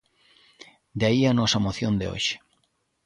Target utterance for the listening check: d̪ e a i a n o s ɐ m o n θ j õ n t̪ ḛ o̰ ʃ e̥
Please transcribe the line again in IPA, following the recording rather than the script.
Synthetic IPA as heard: d̪ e a i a n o s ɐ m o θ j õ n d̪ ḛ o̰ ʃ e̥